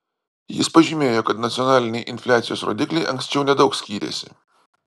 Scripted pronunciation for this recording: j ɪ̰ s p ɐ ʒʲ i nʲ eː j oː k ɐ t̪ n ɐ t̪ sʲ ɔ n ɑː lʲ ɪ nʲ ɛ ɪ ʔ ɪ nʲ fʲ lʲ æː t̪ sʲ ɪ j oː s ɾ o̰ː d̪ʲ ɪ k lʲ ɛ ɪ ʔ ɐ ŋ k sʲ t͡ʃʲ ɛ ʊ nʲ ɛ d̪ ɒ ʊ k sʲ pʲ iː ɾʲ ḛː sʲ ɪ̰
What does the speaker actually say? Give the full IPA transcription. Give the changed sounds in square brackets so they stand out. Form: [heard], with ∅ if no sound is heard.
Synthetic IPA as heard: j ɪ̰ s p ɐ ʒʲ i [mʲ] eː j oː k ɐ t̪ n ɐ t̪ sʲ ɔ n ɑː lʲ ɪ nʲ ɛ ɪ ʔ ɪ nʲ fʲ lʲ æː t̪ sʲ ɪ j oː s ɾ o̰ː d̪ʲ ɪ k lʲ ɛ ɪ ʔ ɐ ŋ k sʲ t͡ʃʲ ɛ ʊ nʲ ɛ d̪ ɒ ʊ k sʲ [kʲ] iː ɾʲ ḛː sʲ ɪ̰